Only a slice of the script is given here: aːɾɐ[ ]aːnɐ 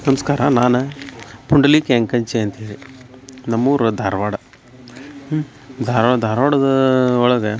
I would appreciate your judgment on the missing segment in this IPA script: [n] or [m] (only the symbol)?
n